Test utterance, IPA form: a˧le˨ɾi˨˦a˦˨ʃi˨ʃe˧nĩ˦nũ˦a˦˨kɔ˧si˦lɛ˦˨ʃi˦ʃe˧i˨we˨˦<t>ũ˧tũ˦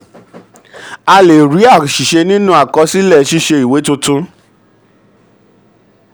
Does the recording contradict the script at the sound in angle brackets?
no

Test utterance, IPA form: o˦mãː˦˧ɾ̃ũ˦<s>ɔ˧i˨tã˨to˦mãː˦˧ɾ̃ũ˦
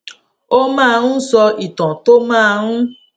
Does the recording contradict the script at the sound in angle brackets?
no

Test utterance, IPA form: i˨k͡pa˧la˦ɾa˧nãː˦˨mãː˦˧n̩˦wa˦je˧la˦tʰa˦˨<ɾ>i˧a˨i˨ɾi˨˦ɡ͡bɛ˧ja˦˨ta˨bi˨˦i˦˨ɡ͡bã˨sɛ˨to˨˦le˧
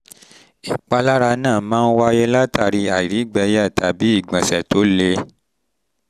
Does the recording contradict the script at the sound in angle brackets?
no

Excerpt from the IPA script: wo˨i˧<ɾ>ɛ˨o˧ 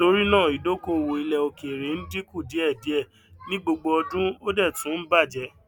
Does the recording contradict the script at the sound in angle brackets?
yes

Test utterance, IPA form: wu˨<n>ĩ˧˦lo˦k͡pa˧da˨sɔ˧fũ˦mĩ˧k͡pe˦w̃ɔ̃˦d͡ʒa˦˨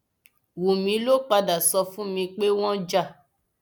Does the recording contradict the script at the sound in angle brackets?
yes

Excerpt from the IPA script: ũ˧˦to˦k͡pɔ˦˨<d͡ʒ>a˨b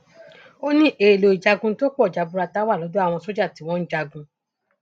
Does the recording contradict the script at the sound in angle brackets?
no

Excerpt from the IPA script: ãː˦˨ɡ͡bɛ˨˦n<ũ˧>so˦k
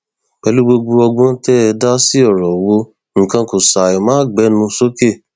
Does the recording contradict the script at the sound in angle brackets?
no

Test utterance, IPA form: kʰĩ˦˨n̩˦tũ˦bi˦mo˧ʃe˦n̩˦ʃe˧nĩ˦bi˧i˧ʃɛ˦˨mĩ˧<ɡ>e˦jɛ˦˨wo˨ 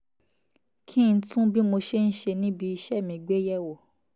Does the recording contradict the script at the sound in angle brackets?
yes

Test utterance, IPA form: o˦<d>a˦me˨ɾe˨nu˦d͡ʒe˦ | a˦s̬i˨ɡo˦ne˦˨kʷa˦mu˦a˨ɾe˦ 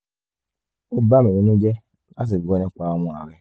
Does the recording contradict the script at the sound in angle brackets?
yes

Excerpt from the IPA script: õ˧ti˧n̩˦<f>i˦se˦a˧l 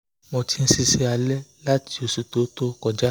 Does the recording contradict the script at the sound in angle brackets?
yes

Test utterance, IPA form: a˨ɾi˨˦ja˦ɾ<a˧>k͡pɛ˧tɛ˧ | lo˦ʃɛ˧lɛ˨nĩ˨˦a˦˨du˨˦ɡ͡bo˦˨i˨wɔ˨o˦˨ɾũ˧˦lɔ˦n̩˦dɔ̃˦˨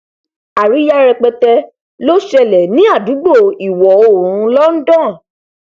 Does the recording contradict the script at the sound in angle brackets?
yes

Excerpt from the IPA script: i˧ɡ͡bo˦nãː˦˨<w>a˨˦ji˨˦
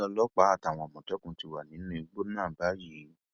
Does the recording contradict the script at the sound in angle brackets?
yes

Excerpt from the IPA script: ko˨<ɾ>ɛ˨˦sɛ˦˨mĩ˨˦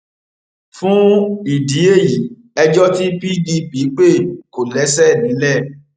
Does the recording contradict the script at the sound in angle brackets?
yes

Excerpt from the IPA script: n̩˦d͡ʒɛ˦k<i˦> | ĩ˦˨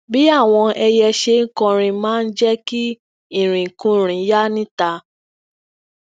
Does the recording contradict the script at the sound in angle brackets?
no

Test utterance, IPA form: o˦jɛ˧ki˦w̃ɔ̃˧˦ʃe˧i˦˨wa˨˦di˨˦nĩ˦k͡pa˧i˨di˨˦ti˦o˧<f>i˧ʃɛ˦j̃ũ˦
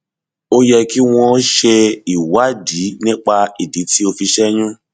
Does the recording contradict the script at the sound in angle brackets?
no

